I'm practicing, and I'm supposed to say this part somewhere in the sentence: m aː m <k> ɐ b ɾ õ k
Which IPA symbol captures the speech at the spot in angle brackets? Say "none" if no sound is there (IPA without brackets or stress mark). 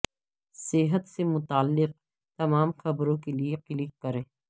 x